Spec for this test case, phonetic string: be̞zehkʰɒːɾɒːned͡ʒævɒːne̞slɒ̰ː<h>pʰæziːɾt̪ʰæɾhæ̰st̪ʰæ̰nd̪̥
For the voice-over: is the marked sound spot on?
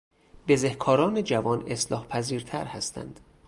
yes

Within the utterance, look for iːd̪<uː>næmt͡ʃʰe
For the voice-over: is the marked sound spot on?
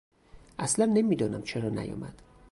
no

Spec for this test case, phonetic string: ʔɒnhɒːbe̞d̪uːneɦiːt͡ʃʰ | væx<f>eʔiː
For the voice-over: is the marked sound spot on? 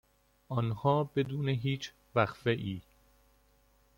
yes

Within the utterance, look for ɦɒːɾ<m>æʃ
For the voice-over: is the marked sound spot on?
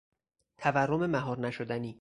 no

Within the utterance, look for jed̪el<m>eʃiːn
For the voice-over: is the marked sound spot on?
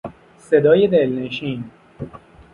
no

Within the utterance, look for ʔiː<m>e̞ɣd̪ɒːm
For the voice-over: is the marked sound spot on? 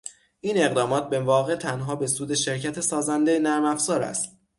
no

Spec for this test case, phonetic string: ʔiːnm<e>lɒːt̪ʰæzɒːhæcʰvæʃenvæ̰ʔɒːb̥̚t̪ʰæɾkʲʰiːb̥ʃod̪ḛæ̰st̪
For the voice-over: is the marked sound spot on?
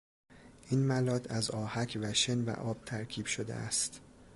no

